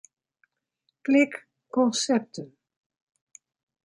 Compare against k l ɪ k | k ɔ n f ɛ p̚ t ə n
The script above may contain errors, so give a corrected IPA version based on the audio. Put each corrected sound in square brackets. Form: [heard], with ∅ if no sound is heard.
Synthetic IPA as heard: k l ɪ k | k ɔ n [s] ɛ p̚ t ə n